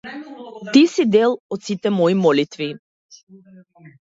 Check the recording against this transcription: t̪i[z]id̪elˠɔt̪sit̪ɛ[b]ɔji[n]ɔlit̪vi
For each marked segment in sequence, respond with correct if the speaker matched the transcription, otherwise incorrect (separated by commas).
incorrect, incorrect, incorrect